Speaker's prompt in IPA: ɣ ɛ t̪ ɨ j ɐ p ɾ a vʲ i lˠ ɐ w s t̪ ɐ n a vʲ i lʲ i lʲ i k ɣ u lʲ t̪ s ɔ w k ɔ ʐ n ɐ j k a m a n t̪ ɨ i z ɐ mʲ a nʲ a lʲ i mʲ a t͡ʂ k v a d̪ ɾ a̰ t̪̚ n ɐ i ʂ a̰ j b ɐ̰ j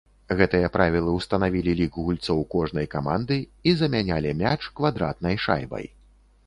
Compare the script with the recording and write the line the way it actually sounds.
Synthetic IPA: ɣ ɛ t̪ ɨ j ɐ p ɾ a vʲ i lˠ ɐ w s t̪ ɐ n a vʲ i lʲ i lʲ i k ɣ u lʲ t̪ s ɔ w k ɔ ʐ n ɐ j k a m a n d̪ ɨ i z ɐ mʲ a nʲ a lʲ i mʲ a t͡ʂ k v a d̪ ɾ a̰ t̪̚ n ɐ j ʂ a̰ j b ɐ̰ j